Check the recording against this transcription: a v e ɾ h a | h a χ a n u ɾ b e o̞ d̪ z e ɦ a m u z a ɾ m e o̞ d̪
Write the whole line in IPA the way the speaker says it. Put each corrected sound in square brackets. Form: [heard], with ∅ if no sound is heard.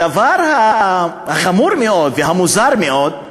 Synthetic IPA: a v [a] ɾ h a | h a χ a [m] u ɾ [m] e o̞ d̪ [v] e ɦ a m u z a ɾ m e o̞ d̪